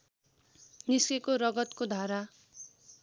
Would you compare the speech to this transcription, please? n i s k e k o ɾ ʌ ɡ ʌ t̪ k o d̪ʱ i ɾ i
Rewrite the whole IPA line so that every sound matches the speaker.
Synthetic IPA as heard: n i s k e k o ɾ ʌ ɡ ʌ t̪ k o d̪ʱ a ɾ a